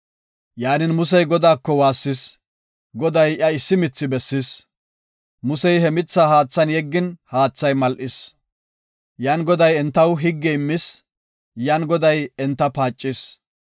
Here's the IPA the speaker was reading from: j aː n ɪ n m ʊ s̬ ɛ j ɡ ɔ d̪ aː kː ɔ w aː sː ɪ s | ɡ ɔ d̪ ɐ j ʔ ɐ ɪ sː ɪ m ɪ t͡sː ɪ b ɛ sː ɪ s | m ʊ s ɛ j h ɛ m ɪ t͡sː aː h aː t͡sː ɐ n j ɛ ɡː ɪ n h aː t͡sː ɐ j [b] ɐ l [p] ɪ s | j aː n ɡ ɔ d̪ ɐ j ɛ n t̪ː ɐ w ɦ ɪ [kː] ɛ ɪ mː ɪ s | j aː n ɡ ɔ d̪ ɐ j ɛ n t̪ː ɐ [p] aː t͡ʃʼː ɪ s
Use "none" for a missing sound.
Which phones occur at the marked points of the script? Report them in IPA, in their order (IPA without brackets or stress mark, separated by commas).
m, ʔ, ɡː, p